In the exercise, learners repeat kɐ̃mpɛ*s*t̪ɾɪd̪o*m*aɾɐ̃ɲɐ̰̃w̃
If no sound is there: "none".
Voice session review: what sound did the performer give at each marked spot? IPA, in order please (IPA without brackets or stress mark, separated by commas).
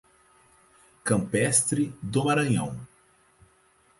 s, m